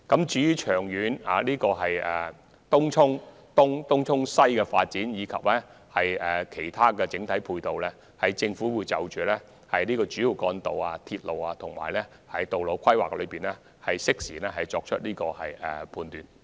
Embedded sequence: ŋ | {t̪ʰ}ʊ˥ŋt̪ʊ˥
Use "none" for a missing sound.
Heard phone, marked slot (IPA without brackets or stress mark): t̪